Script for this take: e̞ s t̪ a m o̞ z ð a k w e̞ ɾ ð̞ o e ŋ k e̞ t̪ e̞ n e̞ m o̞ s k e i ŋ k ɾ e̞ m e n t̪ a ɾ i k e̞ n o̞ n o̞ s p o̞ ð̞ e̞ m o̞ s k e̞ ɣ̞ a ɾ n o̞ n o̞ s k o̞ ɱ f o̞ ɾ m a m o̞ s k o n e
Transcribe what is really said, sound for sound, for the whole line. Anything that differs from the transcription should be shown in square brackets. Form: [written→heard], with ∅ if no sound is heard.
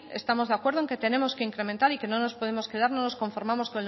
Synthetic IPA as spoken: e̞ s t̪ a m o̞ z ð a k w e̞ ɾ ð̞ o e ŋ k e̞ t̪ e̞ n e̞ m o̞ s k e i ŋ k ɾ e̞ m e n t̪ a ɾ i k e̞ n o̞ n o̞ s p o̞ ð̞ e̞ m o̞ s k e̞ [ɣ̞→ð̞] a ɾ n o̞ n o̞ s k o̞ ɱ f o̞ ɾ m a m o̞ s k o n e